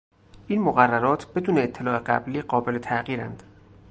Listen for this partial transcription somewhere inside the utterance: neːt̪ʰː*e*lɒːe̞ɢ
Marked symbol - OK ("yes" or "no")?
yes